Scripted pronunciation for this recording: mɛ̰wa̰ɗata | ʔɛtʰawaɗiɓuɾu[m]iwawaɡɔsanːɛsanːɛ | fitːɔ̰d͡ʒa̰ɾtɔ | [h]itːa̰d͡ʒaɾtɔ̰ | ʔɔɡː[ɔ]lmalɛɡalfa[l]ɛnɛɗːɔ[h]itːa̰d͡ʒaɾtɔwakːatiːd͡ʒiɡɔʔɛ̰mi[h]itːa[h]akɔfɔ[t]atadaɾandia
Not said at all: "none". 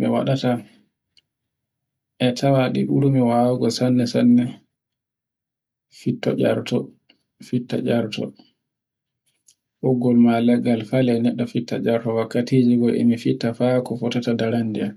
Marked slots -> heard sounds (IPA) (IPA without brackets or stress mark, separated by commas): m, f, ɔ, l, f, f, f, t